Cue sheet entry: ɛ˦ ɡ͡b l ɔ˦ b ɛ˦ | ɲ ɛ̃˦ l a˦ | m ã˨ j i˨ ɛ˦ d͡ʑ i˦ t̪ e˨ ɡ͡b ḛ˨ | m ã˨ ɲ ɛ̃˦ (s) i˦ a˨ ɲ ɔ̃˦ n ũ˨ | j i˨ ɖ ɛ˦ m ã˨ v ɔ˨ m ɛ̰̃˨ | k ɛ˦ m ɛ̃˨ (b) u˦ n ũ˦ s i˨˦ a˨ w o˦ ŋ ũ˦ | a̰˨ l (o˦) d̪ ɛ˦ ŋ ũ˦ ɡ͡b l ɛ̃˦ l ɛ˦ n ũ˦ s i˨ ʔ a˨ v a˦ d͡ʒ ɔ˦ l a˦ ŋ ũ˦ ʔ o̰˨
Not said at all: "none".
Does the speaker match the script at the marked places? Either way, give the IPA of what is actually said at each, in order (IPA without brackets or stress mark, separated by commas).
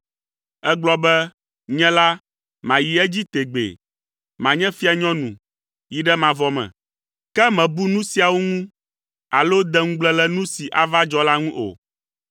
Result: f, b, o˦